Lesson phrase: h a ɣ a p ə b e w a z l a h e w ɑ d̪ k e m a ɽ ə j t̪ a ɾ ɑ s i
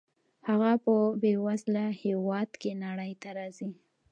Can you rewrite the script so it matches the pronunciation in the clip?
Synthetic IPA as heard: h a ɣ a p ə b e w a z l a h e w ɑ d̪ k e n a ɽ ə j t̪ a ɾ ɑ z i